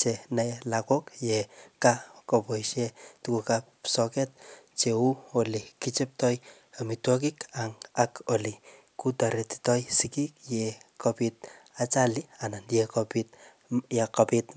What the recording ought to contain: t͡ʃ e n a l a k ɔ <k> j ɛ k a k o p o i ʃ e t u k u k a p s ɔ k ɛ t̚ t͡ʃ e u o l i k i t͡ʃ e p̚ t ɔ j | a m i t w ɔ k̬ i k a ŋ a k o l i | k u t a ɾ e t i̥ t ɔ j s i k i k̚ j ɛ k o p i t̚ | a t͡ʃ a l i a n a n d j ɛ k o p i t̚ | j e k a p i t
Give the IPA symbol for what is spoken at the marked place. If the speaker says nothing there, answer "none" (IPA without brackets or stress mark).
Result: k